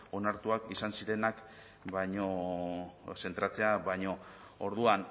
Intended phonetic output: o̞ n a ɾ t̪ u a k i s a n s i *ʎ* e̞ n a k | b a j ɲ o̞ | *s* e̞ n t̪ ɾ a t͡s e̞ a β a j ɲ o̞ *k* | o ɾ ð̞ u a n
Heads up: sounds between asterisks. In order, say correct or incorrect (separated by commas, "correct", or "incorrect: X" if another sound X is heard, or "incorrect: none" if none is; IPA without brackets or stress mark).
incorrect: ɾ, correct, incorrect: none